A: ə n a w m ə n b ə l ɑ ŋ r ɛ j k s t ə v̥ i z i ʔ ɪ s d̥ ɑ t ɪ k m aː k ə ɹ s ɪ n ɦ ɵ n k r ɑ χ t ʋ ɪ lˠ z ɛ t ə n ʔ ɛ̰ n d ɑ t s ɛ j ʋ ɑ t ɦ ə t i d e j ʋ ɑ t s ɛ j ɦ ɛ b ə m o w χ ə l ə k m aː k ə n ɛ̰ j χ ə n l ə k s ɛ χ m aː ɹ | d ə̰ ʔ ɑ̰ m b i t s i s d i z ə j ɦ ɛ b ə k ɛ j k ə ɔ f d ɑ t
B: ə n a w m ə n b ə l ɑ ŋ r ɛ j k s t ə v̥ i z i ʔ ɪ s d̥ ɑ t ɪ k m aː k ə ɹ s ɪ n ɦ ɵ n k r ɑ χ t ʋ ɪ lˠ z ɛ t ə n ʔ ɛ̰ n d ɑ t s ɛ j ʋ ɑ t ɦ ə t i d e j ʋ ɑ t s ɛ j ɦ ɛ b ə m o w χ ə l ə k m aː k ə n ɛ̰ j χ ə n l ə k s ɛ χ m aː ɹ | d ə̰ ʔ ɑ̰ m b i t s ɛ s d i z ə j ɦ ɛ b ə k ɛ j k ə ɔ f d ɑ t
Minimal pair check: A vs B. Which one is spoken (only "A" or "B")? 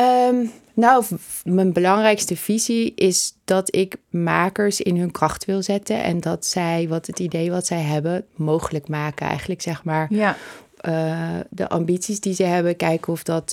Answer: A